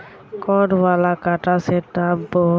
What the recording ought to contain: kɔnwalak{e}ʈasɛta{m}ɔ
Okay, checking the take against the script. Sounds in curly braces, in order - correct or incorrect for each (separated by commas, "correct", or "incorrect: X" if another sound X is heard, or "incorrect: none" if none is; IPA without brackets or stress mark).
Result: incorrect: a, incorrect: b